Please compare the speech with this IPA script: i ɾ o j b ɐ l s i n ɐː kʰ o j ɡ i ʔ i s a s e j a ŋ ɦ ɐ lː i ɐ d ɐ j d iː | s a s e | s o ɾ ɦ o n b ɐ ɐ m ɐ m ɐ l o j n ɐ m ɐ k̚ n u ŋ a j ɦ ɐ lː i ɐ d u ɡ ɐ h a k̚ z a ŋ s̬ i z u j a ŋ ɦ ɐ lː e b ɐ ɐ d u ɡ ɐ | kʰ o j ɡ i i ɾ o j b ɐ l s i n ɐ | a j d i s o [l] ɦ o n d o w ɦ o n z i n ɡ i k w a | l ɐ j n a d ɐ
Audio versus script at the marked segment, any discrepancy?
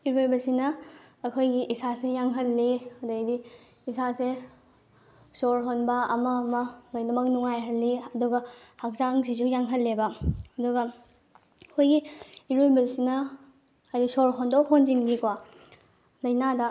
yes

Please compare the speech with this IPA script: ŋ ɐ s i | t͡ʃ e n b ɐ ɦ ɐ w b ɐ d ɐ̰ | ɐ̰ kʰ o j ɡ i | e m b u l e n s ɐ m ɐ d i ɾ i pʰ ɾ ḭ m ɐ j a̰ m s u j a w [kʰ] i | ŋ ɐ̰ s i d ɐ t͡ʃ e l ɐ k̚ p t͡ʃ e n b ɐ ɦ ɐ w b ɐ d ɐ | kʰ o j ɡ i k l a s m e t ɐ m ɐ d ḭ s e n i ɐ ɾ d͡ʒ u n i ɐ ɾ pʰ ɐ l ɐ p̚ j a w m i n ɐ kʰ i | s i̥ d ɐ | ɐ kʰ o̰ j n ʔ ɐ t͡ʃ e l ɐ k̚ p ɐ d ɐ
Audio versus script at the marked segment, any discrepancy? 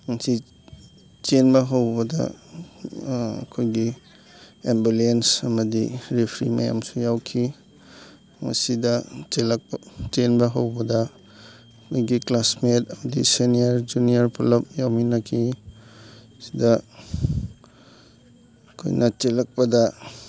no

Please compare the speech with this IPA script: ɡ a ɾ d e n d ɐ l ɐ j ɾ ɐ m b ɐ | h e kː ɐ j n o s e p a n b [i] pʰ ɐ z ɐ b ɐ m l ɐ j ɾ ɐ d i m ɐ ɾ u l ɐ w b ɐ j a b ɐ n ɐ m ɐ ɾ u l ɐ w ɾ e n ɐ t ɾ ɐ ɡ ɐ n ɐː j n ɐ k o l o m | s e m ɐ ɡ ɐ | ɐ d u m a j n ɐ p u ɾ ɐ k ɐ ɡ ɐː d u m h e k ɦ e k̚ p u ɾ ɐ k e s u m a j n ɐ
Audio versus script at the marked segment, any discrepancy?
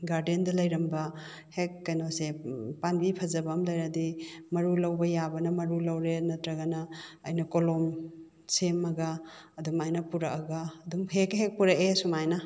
no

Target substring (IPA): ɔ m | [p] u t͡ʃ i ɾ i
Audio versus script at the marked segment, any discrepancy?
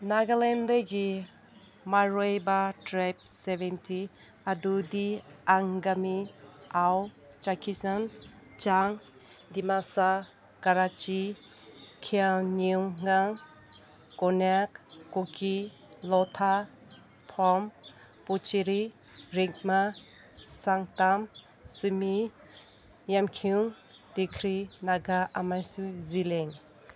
no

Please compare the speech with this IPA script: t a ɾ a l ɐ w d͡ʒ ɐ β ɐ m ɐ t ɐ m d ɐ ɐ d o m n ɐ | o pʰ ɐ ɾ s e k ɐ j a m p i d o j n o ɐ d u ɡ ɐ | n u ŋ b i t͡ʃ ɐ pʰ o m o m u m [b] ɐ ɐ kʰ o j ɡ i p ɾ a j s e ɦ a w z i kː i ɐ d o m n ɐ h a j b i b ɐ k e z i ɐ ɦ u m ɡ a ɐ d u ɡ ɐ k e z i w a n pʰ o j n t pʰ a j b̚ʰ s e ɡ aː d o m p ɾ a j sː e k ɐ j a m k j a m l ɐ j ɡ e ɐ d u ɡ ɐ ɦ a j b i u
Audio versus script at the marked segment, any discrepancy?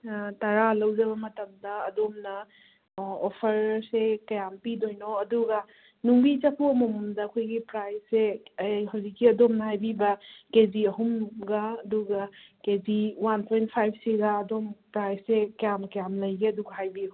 yes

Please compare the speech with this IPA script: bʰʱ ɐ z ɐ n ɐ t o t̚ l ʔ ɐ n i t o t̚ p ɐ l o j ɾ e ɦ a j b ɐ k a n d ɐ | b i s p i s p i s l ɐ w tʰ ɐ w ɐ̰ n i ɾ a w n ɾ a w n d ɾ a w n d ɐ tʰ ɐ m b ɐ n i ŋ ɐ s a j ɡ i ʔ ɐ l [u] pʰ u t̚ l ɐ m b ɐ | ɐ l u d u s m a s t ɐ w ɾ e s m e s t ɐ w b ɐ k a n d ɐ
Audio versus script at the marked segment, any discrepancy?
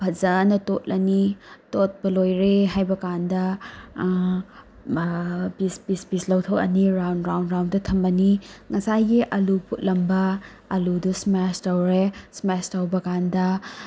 no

